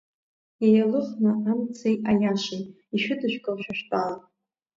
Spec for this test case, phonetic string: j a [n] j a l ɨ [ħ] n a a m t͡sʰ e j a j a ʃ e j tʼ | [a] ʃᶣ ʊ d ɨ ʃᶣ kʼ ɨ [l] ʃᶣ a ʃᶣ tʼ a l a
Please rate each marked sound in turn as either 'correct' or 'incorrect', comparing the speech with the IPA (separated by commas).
incorrect, incorrect, incorrect, correct